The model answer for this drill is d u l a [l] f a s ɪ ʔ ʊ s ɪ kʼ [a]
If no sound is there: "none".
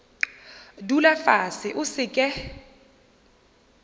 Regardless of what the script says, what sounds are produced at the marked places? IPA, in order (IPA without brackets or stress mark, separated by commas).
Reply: none, ɛ